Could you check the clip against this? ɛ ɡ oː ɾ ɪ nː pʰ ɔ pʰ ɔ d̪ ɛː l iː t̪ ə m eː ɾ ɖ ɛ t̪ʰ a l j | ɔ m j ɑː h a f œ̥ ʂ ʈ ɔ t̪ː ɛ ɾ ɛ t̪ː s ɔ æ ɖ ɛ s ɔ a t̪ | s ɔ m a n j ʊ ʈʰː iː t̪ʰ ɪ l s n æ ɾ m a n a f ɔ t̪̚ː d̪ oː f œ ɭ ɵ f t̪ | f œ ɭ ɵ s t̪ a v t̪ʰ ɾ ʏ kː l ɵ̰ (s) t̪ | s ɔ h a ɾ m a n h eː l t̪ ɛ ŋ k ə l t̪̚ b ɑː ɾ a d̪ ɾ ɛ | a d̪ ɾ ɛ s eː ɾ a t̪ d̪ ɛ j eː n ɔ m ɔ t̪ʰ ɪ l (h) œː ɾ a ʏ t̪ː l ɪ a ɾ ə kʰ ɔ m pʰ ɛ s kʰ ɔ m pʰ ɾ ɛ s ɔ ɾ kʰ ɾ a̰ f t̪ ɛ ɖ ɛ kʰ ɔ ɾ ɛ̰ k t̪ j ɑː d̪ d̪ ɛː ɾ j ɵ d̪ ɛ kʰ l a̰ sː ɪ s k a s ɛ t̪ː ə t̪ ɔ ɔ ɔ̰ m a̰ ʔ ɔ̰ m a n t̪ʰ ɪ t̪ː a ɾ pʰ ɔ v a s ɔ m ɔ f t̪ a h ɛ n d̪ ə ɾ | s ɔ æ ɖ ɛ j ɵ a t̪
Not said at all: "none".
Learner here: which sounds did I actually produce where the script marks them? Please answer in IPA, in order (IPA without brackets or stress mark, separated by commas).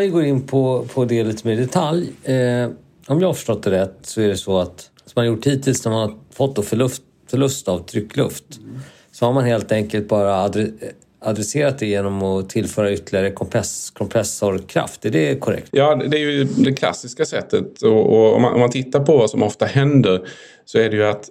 f, f